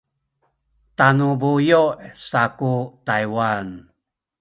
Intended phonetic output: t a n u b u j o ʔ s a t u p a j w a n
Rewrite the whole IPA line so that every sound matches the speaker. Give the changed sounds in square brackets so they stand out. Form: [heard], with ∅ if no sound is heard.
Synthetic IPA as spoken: t a n u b u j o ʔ s a [k] u [t] a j w a n

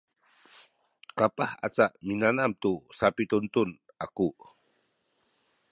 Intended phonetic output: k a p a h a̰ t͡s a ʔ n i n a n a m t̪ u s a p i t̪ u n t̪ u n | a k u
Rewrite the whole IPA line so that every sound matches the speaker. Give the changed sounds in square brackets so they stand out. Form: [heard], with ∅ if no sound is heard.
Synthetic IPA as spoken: k a p a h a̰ t͡s a ʔ [m] i n a n a m t̪ u s a p i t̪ u n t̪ u n | a k u

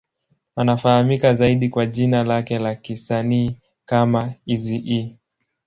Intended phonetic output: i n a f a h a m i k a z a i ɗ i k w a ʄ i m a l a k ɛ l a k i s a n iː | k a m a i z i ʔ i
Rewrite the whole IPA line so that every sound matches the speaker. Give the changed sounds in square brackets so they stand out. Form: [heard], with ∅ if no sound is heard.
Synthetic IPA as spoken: [a] n a f a h a m i k a z a i ɗ i k w a ʄ i [n] a l a k ɛ l a k i s a n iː | k a m a i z i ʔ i

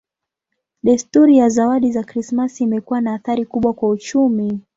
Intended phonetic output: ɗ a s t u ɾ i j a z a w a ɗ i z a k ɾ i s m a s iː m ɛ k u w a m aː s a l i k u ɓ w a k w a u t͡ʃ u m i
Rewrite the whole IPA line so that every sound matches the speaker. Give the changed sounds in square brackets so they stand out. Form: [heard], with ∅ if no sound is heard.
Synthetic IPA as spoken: ɗ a s t u ɾ i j a z a w a ɗ i z a k ɾ i s m a s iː m ɛ k u w a [n] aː [θ] a [ɾ] i k u ɓ w a k w a u t͡ʃ u m i

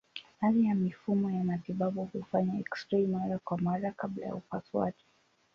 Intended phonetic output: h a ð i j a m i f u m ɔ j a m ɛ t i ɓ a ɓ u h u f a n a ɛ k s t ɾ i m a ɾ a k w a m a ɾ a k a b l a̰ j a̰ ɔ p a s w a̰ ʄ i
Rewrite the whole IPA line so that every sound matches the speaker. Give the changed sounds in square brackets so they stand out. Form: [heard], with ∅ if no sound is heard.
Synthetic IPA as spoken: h a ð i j a m i f u m ɔ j a m [a] t i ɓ a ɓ u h u f a [ɲ] a ɛ k s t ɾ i m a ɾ a k w a m a ɾ a k a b l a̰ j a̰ [u] p a s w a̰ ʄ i

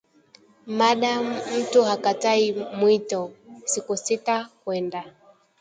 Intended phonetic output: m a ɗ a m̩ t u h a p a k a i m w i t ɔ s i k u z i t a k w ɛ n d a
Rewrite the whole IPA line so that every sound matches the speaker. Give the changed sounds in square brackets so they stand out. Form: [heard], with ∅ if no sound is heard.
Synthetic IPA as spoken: m a ɗ a m̩ t u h a [k] a [t] a i m w i t ɔ s i k u [s] i t a k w ɛ n d a

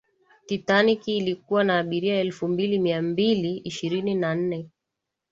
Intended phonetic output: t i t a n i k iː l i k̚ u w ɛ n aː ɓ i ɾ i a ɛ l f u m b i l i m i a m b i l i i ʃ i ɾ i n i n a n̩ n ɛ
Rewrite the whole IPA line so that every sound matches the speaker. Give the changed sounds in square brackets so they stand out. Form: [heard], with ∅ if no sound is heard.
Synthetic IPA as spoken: t i t a n i k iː l i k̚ u w [a] n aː ɓ i ɾ i a ɛ l f u m b i l i m i a m b i l i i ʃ i ɾ i n i n a n̩ n ɛ

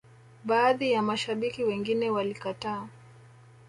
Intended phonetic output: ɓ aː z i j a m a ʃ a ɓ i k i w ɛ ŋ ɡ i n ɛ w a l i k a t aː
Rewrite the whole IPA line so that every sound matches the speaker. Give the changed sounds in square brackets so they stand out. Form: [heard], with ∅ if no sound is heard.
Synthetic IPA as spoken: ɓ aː [ð] i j a m a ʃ a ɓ i k i w ɛ ŋ ɡ i n ɛ w a l i k a t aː

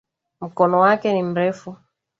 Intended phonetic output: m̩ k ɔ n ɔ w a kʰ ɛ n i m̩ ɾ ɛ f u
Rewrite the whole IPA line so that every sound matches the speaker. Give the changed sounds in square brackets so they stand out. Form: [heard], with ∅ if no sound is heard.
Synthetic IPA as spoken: m̩ k ɔ n ɔ w a [k] ɛ n i m̩ ɾ ɛ f u

